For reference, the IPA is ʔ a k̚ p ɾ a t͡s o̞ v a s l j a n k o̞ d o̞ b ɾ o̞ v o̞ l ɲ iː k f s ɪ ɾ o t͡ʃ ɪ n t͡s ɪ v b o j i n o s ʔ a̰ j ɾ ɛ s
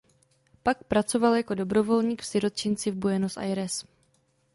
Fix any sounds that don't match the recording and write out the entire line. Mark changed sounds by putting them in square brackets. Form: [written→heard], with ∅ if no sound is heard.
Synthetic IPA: [ʔ→p] a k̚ p ɾ a t͡s o̞ v a [s→∅] l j a [n→∅] k o̞ d o̞ b ɾ o̞ v o̞ l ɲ iː k f s ɪ ɾ o t͡ʃ ɪ n t͡s ɪ v b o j [i→ɛ] n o s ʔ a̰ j ɾ ɛ s